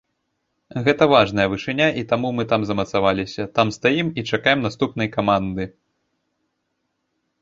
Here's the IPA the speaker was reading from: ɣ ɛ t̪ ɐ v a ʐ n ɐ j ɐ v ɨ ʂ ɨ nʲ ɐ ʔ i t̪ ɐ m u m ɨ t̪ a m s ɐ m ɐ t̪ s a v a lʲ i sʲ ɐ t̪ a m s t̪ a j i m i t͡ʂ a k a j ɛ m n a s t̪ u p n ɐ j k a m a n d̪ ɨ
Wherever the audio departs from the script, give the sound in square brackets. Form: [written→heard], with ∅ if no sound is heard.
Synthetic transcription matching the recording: ɣ ɛ t̪ ɐ v a ʐ n ɐ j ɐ v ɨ ʂ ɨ nʲ [ɐ→a] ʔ i t̪ [ɐ→a] m u m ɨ t̪ a m [s→z] ɐ m ɐ t̪ s a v a lʲ i sʲ ɐ t̪ a m s t̪ a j i m i t͡ʂ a k a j ɛ m n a s t̪ u p n ɐ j k a m a n d̪ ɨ